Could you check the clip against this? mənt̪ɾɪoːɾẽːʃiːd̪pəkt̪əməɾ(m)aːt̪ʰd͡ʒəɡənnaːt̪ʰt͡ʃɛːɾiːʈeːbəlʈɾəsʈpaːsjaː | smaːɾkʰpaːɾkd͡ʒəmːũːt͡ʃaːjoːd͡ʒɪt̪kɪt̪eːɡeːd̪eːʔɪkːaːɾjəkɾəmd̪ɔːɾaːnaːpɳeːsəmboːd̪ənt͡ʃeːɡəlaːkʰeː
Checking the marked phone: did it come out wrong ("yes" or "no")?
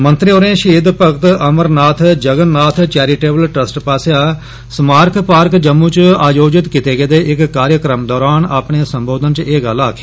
yes